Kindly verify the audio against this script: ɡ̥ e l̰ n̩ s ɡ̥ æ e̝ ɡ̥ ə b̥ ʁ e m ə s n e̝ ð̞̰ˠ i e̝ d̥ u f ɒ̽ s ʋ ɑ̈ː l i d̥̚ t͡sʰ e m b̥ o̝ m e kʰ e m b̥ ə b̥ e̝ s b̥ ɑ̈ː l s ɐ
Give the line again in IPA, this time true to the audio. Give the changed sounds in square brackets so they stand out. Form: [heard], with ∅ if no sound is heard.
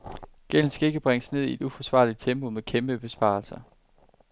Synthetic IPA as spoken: ɡ̥ e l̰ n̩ s ɡ̥ æ e̝ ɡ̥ ə b̥ ʁ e [ŋ] ə s n e̝ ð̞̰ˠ i e̝ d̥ u f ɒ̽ s ʋ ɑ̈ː l i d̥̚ t͡sʰ e m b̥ o̝ m e kʰ e m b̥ ə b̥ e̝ s b̥ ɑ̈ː l s ɐ